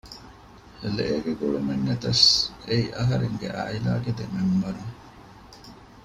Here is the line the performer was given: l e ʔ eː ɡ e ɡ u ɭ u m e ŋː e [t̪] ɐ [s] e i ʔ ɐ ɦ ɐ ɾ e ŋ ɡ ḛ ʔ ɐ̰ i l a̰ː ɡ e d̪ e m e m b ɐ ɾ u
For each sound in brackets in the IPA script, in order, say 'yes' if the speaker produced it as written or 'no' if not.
yes, yes

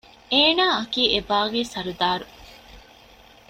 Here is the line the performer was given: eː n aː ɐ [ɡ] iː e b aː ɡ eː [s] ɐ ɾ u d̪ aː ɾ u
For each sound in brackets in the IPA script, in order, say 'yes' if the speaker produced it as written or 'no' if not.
no, yes

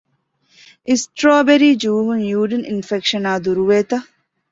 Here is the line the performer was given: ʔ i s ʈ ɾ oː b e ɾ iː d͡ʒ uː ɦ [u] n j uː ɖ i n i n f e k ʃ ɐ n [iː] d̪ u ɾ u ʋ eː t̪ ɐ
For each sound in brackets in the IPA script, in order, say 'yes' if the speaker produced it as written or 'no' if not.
yes, no

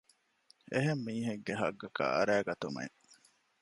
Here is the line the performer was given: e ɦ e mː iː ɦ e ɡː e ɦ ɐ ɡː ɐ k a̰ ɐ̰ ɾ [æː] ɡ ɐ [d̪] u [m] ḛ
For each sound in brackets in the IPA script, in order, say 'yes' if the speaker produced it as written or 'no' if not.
yes, no, yes

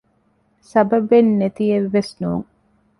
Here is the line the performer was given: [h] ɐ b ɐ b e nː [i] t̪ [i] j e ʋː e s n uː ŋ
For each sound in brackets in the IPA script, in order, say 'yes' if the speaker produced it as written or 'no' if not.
no, no, yes

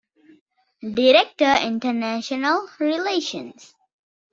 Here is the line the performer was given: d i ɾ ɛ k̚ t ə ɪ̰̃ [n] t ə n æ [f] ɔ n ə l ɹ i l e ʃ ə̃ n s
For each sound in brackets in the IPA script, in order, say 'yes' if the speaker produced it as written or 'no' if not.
yes, no

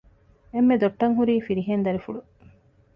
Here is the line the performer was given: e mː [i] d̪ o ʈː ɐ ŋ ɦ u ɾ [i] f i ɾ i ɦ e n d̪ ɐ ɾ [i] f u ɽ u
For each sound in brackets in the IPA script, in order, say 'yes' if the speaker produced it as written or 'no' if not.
no, no, yes

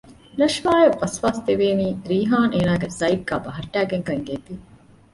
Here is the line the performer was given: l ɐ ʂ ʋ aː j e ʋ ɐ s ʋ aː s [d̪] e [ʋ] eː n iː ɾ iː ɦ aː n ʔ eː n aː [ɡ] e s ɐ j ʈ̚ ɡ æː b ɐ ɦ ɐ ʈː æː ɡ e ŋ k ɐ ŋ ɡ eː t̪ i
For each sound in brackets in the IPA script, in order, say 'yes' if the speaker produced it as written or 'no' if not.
no, yes, yes

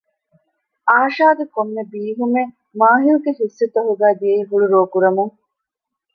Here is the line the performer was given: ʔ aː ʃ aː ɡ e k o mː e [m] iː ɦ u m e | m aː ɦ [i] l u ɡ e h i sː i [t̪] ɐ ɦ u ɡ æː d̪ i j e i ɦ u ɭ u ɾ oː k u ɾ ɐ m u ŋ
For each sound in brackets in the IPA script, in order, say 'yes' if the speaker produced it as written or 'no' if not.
no, yes, yes

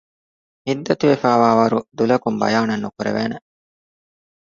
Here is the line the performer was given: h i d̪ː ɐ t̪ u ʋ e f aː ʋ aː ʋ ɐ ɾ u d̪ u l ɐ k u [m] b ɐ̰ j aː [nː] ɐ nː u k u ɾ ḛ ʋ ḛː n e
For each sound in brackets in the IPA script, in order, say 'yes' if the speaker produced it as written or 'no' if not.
yes, no

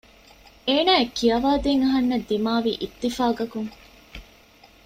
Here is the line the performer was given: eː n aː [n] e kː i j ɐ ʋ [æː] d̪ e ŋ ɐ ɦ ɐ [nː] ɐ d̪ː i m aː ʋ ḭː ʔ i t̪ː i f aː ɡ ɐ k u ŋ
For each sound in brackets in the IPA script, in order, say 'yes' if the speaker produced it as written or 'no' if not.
no, no, yes

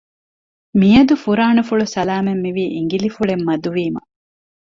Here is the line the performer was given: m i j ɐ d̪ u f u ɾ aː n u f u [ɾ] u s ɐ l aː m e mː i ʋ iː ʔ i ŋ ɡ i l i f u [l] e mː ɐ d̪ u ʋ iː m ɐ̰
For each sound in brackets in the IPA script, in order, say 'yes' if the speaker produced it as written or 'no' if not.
no, no

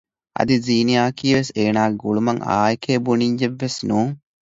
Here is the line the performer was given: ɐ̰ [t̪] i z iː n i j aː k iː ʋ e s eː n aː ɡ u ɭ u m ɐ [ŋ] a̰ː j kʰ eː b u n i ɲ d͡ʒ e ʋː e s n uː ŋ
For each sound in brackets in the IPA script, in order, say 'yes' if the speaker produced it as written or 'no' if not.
no, yes

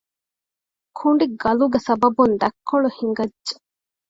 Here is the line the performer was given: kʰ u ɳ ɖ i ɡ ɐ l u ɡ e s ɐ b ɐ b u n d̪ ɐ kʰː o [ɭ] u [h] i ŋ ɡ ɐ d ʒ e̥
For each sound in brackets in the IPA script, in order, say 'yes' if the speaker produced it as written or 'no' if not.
yes, yes

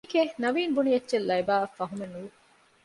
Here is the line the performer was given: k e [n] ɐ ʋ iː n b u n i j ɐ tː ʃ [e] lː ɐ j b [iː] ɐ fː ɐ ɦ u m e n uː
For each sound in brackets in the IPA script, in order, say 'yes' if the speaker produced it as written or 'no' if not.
yes, yes, no

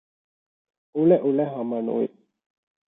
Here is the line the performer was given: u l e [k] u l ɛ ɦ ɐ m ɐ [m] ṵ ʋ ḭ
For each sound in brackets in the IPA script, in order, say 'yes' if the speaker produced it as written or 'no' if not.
no, no

